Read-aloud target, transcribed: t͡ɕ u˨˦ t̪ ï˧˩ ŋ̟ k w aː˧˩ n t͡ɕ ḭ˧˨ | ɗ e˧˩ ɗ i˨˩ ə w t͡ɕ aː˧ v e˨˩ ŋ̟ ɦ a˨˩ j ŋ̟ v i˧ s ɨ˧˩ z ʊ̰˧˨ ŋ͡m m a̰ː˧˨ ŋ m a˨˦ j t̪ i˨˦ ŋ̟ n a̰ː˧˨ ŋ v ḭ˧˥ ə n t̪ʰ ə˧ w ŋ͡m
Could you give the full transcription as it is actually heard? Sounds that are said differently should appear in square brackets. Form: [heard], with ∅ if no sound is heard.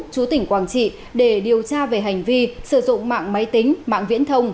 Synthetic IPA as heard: t͡ɕ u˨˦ t̪ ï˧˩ ŋ̟ k w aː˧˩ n t͡ɕ ḭ˧˨ | ɗ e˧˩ ɗ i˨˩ ə w t͡ɕ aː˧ v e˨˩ [∅] ɦ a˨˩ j ŋ̟ v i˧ s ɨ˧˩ z ʊ̰˧˨ ŋ͡m m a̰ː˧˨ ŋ m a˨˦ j t̪ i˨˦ ŋ̟ [m] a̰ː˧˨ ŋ v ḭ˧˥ ə n t̪ʰ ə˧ w ŋ͡m